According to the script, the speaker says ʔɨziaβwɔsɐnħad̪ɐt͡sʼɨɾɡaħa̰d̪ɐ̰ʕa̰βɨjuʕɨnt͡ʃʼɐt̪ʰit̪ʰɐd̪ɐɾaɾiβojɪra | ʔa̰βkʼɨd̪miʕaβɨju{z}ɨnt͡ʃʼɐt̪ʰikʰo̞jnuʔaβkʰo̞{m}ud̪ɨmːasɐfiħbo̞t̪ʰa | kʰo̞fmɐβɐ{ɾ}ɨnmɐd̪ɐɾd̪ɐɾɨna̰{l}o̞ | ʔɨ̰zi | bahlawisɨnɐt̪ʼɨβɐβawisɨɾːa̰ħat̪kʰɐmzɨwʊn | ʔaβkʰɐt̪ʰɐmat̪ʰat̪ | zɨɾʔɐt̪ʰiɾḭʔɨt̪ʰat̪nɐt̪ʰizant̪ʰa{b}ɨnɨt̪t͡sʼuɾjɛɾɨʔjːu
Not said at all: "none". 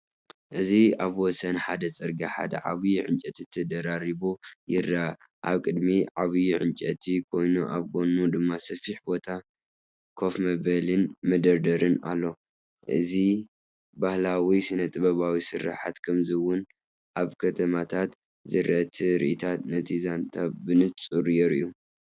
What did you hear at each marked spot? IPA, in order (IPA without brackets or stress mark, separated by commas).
ʕ, n, l, lː, b